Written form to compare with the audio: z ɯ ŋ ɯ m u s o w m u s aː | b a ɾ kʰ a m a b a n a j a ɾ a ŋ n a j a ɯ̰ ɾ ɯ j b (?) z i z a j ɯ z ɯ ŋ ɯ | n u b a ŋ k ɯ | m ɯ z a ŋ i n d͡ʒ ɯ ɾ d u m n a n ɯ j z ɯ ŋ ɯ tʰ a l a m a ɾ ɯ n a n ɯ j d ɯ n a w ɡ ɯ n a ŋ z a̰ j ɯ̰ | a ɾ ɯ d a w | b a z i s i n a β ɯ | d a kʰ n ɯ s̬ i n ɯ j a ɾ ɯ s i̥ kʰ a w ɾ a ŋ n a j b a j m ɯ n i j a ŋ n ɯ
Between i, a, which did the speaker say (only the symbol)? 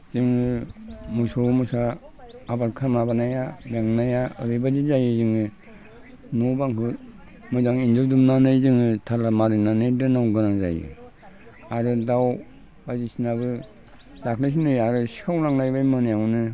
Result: a